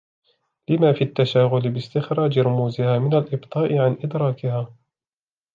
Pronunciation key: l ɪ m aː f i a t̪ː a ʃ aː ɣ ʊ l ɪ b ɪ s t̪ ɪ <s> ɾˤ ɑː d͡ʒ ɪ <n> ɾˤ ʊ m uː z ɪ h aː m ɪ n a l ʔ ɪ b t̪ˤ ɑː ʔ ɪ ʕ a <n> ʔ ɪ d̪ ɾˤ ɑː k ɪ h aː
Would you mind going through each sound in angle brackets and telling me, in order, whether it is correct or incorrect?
incorrect, incorrect, correct

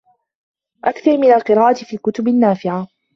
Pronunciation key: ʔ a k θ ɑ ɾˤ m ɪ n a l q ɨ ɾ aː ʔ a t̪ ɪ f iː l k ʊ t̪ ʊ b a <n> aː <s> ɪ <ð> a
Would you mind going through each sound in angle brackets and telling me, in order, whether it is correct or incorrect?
incorrect, incorrect, incorrect

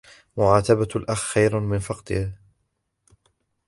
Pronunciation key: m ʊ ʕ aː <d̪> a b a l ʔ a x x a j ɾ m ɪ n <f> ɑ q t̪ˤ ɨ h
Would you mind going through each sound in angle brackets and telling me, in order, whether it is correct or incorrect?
incorrect, correct

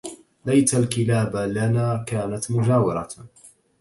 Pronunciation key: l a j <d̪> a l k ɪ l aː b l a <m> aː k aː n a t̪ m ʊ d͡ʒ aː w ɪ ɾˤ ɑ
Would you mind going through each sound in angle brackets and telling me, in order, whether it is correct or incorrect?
incorrect, incorrect

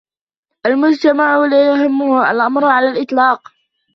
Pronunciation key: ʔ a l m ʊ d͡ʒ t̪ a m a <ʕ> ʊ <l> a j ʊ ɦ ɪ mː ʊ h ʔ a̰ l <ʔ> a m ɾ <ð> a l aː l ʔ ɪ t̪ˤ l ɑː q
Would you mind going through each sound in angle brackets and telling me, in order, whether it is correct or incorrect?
correct, correct, correct, incorrect

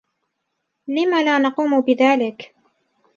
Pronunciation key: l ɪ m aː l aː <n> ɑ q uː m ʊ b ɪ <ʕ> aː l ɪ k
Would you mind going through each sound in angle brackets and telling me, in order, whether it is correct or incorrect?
correct, incorrect

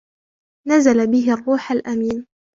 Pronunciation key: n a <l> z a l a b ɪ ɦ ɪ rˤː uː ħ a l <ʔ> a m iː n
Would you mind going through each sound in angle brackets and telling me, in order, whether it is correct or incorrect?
incorrect, correct

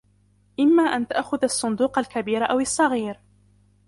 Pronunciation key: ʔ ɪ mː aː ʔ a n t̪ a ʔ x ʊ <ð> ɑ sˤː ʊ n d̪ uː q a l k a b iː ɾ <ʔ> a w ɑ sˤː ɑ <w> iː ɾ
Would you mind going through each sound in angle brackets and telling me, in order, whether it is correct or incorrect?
correct, correct, incorrect

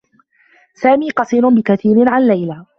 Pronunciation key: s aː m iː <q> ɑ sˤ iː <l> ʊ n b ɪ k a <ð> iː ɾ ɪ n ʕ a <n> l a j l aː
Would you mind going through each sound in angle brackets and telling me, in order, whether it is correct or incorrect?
correct, incorrect, incorrect, correct

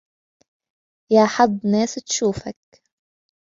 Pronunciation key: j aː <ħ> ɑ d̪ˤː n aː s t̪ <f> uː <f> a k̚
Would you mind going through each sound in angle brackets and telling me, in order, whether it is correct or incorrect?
correct, incorrect, correct

